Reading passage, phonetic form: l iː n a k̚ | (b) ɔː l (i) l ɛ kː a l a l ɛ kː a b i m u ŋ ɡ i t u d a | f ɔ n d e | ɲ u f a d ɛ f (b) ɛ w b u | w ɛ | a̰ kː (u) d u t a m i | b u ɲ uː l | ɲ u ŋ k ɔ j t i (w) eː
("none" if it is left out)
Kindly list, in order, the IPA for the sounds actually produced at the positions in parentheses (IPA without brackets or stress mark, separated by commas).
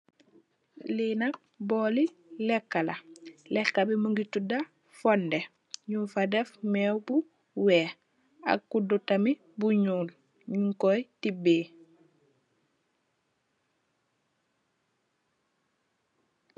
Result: b, i, m, u, b